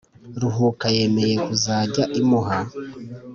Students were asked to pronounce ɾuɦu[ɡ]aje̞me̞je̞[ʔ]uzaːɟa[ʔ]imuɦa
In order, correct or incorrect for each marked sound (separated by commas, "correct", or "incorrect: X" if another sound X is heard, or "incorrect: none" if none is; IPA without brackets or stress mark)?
incorrect: k, incorrect: k, correct